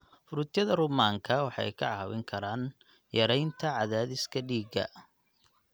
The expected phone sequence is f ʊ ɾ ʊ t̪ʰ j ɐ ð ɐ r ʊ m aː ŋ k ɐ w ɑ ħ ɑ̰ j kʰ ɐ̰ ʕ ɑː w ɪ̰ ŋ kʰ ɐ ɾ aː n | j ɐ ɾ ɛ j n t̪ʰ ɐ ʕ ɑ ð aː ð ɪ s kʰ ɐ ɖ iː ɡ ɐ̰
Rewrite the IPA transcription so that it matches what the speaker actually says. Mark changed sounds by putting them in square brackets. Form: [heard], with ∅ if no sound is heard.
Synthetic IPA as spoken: f ʊ ɾ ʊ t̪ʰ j ɐ ð ɐ r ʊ m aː ŋ [kʰ] ɐ w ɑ ħ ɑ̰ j kʰ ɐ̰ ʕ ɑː w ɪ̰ ŋ kʰ ɐ ɾ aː n | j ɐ ɾ ɛ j n t̪ʰ ɐ ʕ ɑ ð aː ð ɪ s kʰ ɐ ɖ iː ɡ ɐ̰